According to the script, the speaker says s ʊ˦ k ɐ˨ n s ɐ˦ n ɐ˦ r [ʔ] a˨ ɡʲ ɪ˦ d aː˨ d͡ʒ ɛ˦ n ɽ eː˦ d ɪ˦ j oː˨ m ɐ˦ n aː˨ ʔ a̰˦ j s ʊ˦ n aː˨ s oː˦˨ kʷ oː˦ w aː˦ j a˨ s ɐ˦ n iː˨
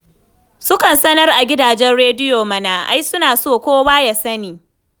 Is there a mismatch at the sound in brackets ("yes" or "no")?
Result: no